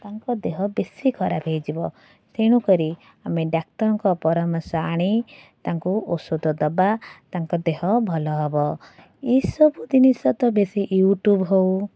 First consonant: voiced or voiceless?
voiceless